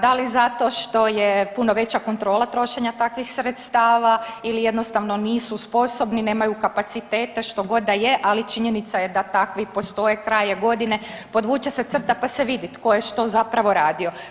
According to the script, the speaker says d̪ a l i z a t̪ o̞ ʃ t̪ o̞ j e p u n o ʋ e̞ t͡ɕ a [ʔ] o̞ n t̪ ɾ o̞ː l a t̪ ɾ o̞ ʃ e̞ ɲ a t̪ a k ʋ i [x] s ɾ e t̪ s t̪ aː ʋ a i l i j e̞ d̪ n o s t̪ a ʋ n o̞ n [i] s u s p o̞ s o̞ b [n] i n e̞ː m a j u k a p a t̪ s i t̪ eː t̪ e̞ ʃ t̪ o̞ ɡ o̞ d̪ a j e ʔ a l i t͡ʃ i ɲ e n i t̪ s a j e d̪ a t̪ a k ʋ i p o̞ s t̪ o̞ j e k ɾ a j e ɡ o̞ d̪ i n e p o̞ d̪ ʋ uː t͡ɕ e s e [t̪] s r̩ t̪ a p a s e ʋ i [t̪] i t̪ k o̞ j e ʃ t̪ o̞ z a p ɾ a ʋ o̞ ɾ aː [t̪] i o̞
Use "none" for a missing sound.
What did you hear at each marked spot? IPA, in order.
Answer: k, x, iː, n, t̪, d̪, d̪

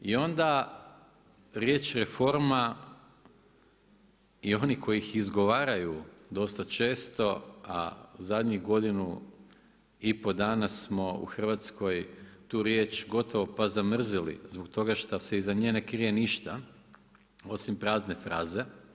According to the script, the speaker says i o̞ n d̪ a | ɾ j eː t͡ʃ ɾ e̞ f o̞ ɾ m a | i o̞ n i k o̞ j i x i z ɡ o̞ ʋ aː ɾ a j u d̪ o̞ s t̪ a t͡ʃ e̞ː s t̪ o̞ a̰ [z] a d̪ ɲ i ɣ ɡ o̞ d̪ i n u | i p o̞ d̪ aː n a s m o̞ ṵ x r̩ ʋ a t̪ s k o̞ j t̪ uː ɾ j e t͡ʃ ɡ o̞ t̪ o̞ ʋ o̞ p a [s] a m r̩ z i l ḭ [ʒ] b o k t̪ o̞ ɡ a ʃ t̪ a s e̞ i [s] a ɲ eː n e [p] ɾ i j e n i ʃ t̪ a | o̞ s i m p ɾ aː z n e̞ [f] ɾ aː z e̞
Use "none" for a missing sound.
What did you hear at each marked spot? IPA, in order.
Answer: z, z, z, z, k, f

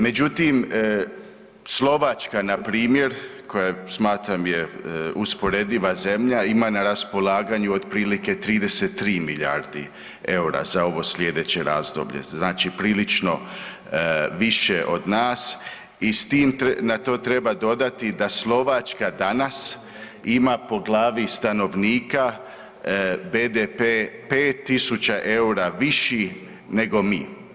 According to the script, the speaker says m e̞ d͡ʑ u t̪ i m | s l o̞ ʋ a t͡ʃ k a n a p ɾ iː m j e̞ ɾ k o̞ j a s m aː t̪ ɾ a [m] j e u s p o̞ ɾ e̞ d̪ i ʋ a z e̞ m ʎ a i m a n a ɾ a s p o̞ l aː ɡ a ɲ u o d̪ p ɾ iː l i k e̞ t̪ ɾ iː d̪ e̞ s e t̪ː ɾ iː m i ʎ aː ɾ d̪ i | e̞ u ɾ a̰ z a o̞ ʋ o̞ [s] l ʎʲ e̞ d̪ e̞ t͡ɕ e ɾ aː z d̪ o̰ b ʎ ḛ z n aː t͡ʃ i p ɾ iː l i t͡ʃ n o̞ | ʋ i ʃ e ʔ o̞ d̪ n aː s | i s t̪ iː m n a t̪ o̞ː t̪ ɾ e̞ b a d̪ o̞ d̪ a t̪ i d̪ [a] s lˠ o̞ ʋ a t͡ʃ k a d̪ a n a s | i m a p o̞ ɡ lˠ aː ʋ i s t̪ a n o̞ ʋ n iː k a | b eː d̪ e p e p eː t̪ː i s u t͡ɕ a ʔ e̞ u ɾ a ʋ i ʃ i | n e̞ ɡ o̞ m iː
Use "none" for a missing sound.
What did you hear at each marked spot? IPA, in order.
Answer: m, s, a

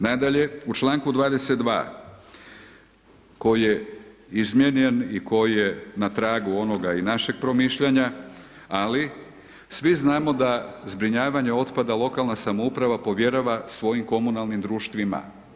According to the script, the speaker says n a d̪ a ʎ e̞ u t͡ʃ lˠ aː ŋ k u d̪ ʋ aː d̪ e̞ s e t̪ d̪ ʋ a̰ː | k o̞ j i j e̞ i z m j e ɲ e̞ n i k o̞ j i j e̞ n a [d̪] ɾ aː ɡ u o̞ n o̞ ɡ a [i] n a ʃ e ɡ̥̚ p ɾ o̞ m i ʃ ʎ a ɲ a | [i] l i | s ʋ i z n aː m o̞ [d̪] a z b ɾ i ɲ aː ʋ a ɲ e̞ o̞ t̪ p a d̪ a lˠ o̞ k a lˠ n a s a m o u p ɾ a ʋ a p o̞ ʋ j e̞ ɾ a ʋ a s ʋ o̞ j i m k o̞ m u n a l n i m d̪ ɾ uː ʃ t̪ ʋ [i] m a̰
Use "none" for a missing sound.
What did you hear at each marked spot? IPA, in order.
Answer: t̪, i, a, d̪, i

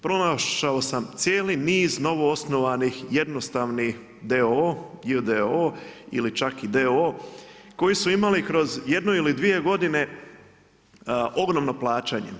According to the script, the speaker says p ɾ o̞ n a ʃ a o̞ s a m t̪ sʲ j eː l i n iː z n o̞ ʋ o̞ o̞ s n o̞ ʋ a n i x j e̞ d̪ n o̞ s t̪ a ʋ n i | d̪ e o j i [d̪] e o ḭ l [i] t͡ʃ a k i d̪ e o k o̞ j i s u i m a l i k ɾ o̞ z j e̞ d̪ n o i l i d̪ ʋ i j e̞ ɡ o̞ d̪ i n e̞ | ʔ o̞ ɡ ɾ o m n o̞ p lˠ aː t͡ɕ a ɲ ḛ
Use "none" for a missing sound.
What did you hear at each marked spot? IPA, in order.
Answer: d̪, i

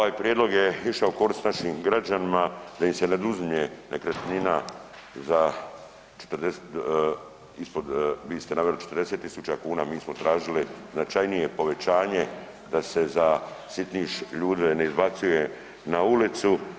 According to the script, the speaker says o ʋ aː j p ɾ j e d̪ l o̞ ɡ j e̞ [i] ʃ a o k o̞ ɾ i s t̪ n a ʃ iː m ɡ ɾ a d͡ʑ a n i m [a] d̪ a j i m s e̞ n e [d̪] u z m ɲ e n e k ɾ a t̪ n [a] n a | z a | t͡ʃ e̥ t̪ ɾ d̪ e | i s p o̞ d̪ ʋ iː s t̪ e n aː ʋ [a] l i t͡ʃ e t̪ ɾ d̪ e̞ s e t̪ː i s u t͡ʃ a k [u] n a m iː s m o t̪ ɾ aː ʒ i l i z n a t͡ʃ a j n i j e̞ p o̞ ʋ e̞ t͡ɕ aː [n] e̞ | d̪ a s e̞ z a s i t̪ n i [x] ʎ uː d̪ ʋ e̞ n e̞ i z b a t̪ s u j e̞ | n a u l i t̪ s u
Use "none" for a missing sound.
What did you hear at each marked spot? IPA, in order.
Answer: i, a, d̪, i, e, uː, ɲ, ʃ

